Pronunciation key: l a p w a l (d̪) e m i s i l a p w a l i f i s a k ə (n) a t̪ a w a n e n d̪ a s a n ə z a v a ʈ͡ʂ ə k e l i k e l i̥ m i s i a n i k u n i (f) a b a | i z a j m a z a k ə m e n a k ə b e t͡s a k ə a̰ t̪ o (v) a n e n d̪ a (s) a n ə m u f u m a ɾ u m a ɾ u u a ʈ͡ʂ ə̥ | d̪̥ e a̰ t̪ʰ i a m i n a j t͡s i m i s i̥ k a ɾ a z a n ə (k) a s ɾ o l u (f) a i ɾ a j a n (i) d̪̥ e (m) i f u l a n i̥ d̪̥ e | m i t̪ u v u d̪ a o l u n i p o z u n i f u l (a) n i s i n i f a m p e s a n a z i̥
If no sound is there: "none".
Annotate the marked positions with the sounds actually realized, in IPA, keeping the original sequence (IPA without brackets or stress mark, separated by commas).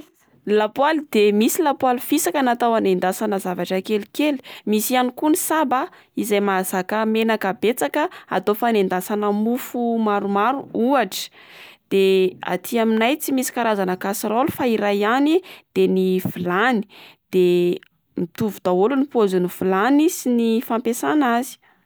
d̪, n, s, f, s, k, f, i, n, a